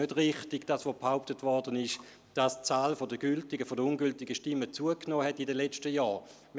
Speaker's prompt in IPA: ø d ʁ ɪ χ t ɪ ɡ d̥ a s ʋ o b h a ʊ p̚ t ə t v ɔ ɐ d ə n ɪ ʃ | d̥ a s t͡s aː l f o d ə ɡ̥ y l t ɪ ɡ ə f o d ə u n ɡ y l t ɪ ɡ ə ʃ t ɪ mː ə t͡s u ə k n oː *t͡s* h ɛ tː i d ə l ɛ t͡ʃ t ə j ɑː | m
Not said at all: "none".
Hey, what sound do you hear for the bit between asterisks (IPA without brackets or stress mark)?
none